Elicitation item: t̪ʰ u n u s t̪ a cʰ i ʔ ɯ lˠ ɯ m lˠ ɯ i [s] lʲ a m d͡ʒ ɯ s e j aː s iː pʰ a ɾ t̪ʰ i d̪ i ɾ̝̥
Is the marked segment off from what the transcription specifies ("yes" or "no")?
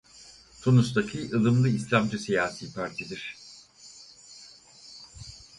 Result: no